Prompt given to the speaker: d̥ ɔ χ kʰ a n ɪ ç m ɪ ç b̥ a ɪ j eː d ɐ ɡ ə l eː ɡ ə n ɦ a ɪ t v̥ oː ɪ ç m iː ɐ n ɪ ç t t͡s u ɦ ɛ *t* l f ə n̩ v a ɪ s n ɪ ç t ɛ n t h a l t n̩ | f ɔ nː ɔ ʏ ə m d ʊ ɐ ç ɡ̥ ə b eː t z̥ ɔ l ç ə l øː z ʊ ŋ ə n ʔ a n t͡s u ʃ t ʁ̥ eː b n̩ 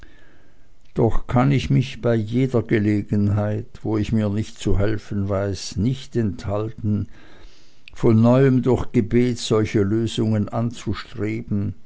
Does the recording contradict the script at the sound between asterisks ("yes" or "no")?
yes